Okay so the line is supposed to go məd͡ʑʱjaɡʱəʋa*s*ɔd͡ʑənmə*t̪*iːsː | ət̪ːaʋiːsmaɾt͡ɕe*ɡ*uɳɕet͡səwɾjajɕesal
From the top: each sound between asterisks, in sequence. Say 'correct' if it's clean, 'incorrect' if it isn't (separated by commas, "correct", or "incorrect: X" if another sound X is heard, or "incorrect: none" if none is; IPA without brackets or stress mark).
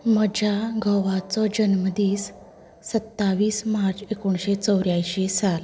incorrect: t͡s, incorrect: d̪, incorrect: k